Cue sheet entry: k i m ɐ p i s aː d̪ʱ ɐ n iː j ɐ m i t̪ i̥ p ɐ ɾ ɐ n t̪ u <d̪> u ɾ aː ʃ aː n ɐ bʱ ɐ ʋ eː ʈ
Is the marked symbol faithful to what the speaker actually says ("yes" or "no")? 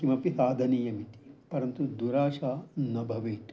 yes